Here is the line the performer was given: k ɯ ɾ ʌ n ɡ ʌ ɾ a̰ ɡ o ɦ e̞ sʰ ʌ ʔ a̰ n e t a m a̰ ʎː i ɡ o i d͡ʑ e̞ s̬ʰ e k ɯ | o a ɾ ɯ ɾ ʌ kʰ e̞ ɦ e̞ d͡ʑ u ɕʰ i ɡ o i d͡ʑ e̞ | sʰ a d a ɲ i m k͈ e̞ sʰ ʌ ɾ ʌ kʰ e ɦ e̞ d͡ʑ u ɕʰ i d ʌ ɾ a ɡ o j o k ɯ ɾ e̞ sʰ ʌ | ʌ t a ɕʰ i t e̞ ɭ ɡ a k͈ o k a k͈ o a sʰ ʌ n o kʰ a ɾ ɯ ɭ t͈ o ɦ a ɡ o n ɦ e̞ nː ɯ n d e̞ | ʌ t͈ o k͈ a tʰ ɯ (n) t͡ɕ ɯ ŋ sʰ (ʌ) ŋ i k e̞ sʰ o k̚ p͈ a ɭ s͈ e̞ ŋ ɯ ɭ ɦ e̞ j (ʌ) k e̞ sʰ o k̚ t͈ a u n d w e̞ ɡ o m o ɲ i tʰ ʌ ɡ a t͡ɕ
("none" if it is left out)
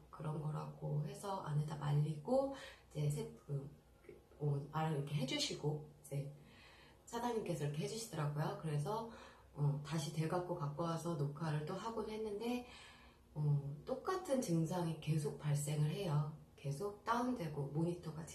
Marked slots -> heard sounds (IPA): n, a, ʌ

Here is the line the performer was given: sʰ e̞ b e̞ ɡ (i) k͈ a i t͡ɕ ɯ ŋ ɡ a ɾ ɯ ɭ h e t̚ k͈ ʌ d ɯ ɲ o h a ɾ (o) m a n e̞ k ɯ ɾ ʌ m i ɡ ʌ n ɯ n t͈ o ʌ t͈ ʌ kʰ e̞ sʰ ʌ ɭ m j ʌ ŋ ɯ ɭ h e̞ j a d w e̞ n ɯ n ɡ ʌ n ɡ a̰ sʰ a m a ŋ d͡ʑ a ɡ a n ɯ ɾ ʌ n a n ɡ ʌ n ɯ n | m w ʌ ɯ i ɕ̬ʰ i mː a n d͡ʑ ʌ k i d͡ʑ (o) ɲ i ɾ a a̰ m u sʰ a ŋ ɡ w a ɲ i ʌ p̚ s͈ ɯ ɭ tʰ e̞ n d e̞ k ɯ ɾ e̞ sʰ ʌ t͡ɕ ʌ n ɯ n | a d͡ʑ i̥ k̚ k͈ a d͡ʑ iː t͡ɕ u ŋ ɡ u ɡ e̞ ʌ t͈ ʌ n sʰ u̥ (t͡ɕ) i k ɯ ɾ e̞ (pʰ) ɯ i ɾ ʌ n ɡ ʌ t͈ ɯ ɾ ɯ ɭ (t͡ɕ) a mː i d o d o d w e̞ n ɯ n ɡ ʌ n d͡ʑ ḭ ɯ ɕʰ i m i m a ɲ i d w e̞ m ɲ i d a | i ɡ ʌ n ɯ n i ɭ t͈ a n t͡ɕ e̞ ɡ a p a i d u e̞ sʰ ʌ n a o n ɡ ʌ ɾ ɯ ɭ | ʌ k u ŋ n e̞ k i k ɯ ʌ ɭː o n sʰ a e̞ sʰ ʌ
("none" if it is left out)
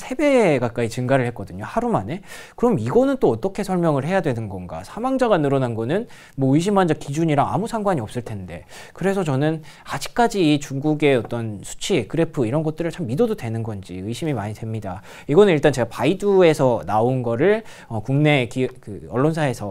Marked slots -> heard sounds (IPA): a, u, u, t͡ɕʰ, pʰ, t͡ɕʰ

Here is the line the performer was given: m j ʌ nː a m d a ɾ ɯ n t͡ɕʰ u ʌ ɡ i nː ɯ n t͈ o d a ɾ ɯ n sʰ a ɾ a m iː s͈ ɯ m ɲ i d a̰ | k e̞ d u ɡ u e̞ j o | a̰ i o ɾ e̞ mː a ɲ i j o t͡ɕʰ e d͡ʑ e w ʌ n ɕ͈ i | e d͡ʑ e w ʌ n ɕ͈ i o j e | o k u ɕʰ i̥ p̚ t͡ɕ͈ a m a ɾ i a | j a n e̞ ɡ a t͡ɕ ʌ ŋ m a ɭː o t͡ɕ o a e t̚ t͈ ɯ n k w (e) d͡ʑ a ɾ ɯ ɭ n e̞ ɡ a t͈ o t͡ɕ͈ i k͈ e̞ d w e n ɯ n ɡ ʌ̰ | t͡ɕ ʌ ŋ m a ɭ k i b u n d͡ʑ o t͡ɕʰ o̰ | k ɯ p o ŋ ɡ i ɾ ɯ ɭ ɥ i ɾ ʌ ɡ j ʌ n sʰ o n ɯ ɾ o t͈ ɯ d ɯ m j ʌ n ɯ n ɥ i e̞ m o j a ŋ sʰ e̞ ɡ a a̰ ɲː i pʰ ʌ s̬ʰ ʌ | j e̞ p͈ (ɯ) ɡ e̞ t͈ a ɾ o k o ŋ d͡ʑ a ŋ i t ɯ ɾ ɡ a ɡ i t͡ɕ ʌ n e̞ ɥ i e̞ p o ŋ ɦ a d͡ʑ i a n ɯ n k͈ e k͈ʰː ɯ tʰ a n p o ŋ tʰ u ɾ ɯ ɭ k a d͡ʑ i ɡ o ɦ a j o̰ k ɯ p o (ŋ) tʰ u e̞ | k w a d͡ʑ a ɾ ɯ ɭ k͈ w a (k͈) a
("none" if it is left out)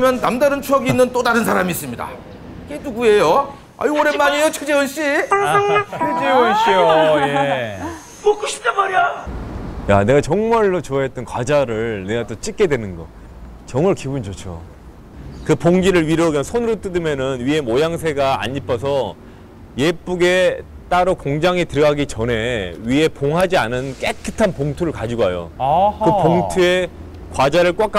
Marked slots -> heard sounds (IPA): a, u, ŋ, k͈

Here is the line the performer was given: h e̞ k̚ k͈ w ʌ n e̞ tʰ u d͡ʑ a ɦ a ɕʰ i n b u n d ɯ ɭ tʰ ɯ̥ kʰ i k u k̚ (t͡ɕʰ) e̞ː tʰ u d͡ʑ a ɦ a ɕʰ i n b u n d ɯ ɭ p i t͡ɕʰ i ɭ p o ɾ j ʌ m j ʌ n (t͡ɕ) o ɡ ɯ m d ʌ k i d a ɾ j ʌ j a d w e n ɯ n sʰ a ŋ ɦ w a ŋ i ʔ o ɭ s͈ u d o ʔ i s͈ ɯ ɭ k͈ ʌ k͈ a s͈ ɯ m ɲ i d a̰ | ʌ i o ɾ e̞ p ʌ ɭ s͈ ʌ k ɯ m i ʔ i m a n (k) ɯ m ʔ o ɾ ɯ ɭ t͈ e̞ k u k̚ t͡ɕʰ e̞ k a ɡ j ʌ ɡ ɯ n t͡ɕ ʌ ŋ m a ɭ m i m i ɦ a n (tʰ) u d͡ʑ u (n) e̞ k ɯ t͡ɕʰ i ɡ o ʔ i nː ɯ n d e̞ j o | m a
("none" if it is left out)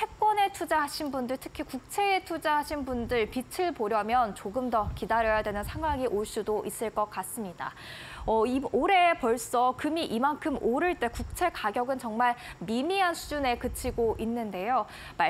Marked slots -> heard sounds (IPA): t͡ɕʰ, t͡ɕ, kʰ, sʰ, n

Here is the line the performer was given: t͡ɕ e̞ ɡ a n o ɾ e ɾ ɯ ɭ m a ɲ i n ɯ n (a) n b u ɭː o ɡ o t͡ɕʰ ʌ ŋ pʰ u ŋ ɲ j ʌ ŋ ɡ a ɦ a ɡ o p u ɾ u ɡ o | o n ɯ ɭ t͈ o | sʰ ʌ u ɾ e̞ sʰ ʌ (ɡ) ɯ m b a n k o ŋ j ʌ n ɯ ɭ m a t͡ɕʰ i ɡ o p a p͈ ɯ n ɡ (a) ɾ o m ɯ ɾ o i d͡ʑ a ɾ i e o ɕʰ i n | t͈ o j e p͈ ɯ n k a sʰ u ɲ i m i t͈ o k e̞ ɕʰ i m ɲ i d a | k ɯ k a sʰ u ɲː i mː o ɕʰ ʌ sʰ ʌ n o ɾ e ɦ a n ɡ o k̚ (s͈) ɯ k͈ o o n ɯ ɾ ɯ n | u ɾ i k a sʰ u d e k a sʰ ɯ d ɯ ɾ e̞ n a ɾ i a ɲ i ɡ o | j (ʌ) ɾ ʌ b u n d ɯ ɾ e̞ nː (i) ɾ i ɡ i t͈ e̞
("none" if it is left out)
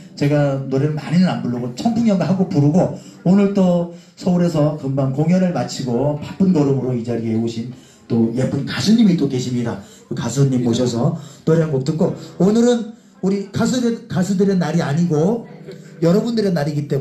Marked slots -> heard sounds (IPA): a, k, ʌ, t͈, ʌ, a

